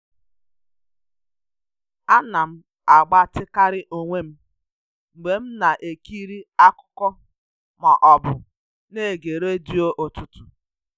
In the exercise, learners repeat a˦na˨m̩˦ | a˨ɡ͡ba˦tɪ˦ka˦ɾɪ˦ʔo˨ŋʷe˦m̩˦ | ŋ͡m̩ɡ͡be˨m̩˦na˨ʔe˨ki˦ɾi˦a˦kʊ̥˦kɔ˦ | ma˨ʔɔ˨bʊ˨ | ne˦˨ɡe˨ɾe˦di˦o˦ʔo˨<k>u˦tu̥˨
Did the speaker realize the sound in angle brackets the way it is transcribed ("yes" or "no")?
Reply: no